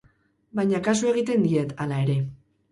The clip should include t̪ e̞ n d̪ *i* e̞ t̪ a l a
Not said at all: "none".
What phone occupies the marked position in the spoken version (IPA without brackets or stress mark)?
i